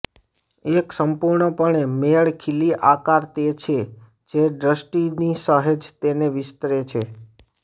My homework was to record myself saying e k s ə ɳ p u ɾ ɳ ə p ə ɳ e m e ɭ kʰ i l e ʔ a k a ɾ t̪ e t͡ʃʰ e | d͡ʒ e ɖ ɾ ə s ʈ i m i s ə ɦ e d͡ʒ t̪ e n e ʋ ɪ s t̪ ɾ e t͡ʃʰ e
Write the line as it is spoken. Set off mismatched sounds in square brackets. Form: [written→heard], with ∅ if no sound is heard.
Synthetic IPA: e k s ə [ɳ→m] p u ɾ ɳ ə p ə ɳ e m e ɭ kʰ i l [e→i] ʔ a k a ɾ t̪ e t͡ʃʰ e | d͡ʒ e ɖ ɾ ə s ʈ i [m→n] i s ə ɦ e d͡ʒ t̪ e n e ʋ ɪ s t̪ ɾ e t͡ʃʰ e

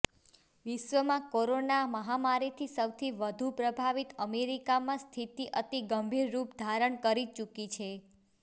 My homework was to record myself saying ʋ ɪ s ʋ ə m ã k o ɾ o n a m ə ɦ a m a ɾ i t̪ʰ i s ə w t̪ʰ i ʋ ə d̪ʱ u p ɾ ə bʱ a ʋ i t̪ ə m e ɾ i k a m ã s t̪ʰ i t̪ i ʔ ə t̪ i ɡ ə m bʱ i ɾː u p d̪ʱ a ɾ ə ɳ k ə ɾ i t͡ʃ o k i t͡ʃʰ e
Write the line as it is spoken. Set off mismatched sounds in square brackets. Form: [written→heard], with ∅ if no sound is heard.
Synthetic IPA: ʋ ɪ [s→ʃ] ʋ ə m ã k o ɾ o n a m ə ɦ a m a ɾ i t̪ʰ i s ə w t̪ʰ i ʋ ə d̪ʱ u p ɾ ə bʱ a ʋ i t̪ ə m e ɾ i k a m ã s t̪ʰ i t̪ i ʔ ə t̪ i ɡ ə m bʱ i ɾː u p d̪ʱ a ɾ ə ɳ k ə ɾ i t͡ʃ [o→u] k i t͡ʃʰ e

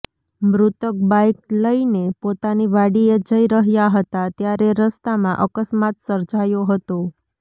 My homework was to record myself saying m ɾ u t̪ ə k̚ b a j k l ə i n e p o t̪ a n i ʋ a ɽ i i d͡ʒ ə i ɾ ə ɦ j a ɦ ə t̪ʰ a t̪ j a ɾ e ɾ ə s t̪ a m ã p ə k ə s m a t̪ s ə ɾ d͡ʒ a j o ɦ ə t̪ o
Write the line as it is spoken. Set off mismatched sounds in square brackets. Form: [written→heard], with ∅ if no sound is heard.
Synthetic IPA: m ɾ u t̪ ə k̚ b a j k l ə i n e p o t̪ a n i ʋ a ɽ i [i→e] d͡ʒ ə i ɾ ə ɦ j a ɦ ə [t̪ʰ→t̪] a t̪ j a ɾ e ɾ ə s t̪ a m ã [p→ʔ] ə k ə s m a t̪ s ə ɾ d͡ʒ a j o ɦ ə t̪ o

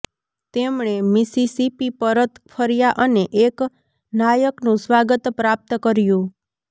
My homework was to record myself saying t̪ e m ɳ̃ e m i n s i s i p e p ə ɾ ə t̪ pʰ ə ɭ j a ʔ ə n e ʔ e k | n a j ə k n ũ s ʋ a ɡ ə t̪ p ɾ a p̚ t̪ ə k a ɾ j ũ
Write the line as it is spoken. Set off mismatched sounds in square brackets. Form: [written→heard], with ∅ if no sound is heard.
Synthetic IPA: t̪ e m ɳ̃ e m i [n→∅] s i s i p [e→i] p ə ɾ ə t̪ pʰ ə [ɭ→ɾ] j a ʔ ə n e ʔ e k | n a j ə k n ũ s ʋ a ɡ ə t̪ p ɾ a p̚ t̪ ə k [a→ə] ɾ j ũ

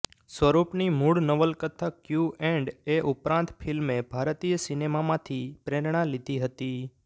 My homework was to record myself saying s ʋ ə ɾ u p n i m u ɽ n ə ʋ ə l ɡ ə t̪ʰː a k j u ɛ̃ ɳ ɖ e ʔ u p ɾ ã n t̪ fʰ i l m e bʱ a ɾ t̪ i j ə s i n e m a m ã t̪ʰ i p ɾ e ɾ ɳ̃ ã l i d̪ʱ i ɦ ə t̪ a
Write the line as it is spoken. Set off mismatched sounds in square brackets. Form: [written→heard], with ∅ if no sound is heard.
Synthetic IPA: s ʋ ə ɾ u p n i m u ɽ n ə ʋ ə l [ɡ→k] ə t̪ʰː a k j u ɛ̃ ɳ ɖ e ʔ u p ɾ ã n t̪ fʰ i l m e bʱ a ɾ t̪ i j ə s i n e m a m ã t̪ʰ i p ɾ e ɾ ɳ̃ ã l i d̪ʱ i ɦ ə t̪ [a→i]

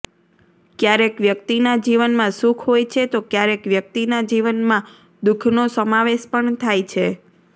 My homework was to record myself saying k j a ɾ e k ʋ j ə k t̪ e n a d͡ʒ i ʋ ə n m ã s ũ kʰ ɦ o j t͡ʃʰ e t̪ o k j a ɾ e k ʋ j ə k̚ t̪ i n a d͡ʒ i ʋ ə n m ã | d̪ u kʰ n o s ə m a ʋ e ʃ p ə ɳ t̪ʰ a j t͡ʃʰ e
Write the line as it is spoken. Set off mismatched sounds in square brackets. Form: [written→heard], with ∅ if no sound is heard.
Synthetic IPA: k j a ɾ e k ʋ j ə k t̪ [e→i] n a d͡ʒ i ʋ ə n m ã s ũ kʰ ɦ o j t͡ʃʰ e t̪ o k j a ɾ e k ʋ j ə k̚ t̪ i n a d͡ʒ i ʋ ə n m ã | d̪ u kʰ n o s ə m a ʋ e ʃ p ə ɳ t̪ʰ a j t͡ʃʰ e

